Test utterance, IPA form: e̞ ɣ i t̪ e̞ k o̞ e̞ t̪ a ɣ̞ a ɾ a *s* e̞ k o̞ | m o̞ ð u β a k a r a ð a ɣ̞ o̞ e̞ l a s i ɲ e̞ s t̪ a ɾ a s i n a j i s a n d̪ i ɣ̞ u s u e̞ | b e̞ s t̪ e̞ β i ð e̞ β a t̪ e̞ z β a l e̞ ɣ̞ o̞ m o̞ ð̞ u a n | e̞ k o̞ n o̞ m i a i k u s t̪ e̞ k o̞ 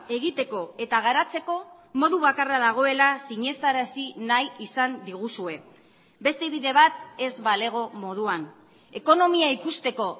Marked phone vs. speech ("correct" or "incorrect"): incorrect